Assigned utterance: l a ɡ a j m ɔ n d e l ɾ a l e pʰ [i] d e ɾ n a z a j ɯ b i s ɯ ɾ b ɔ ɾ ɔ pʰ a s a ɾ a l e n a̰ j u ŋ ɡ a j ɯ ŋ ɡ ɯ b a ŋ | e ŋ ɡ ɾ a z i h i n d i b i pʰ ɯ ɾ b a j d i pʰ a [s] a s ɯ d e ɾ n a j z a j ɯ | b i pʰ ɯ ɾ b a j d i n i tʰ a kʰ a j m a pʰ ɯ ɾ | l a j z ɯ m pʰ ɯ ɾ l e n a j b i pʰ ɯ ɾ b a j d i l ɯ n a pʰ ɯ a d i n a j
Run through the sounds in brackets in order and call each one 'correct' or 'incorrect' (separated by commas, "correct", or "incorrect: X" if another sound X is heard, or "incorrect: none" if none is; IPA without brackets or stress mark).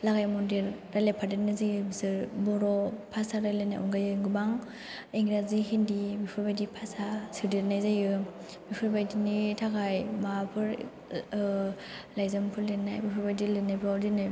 incorrect: a, correct